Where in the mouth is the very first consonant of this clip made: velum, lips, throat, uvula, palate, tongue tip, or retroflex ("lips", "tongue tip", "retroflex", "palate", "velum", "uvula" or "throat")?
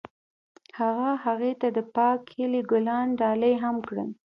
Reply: throat